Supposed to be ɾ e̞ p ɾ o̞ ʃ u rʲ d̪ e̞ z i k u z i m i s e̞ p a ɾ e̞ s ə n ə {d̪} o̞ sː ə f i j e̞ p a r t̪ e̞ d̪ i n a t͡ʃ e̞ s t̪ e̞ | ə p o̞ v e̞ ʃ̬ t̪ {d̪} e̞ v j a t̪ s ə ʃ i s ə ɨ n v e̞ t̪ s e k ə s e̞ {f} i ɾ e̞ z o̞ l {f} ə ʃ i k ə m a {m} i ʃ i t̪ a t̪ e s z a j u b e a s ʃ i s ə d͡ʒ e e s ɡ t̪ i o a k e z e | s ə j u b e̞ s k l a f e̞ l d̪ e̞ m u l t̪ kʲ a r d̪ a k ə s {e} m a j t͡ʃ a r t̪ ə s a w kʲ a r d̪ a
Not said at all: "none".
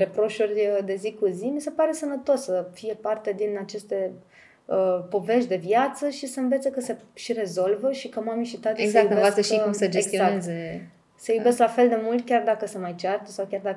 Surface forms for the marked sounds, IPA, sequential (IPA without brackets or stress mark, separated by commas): t̪, d̪, ʃ, v, m, e